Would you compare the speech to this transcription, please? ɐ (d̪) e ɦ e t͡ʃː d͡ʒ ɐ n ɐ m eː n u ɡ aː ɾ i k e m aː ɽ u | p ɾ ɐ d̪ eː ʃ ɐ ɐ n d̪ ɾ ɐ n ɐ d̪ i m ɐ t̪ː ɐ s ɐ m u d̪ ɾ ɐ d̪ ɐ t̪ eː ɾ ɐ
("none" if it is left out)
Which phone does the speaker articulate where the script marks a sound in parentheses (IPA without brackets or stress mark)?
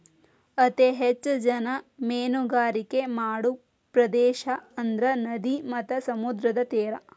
t̪